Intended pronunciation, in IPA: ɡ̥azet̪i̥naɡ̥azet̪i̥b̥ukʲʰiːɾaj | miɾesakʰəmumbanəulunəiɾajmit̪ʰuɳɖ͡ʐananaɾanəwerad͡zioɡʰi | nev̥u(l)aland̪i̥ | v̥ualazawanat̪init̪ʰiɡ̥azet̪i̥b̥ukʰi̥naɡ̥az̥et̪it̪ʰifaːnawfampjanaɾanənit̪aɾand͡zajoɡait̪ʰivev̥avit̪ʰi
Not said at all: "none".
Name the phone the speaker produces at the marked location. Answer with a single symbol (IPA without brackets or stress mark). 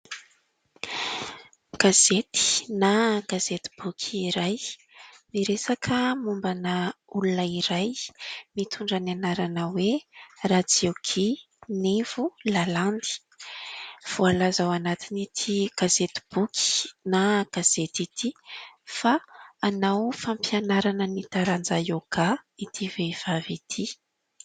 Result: l